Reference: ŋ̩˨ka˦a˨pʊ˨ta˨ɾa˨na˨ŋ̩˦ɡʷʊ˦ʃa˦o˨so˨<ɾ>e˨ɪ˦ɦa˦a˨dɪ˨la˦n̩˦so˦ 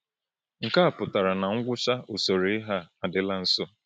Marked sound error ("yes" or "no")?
no